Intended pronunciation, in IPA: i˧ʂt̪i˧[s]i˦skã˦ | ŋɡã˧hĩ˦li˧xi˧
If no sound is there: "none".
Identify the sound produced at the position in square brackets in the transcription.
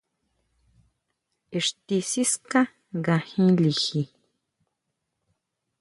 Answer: s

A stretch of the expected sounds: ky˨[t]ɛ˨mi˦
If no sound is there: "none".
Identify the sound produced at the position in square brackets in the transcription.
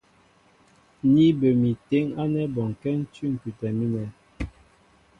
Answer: t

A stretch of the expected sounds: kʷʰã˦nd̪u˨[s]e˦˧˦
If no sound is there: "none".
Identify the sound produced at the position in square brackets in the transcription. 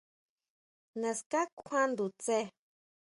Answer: t͡s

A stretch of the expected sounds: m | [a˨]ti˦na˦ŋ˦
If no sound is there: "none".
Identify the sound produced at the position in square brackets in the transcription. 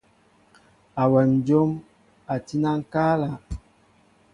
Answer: a˨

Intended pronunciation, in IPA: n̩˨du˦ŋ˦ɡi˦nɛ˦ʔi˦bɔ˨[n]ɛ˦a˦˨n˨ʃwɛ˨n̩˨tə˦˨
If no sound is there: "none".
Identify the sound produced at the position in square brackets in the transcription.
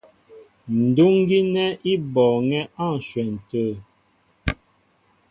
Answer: ŋ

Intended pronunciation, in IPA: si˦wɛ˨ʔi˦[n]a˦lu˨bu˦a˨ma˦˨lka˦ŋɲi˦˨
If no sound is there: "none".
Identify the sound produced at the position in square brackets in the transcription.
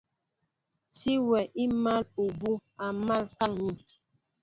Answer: m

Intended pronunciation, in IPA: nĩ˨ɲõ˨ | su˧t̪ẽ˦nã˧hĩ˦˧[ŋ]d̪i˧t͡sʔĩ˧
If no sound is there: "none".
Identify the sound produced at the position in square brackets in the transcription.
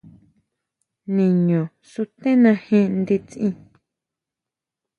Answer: n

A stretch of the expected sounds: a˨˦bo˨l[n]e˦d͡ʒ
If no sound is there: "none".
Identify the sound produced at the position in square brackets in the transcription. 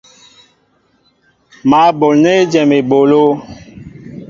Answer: n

